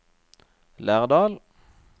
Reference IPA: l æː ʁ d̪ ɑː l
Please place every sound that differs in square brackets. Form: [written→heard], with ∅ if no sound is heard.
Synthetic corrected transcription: l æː ʁ d̪ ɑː l